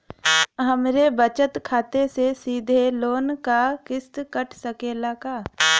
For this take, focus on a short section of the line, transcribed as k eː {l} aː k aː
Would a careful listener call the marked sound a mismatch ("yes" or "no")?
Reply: no